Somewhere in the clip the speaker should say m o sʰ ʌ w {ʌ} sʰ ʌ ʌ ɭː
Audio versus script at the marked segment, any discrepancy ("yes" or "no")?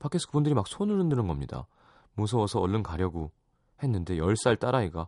no